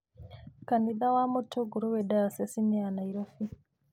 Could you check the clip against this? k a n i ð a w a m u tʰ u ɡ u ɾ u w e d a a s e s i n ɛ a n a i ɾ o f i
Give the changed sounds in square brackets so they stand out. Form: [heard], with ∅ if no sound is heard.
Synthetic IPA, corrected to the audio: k a n i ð a w a m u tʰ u ɡ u ɾ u w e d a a s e s i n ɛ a n a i ɾ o f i